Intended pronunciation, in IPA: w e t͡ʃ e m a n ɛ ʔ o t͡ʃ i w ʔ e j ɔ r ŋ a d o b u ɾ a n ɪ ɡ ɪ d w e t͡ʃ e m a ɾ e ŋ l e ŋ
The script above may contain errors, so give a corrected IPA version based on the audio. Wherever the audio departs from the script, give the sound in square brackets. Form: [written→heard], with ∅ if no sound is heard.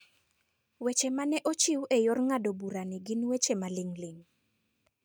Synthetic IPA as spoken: w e t͡ʃ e m a n ɛ ʔ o t͡ʃ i w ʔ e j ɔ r ŋ a d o b u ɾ a n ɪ ɡ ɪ [d→n] w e t͡ʃ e m a [ɾ→l] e ŋ l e ŋ